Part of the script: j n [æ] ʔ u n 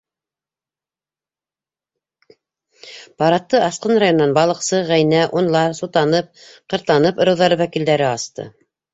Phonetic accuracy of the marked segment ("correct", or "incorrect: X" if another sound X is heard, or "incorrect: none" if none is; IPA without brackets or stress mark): correct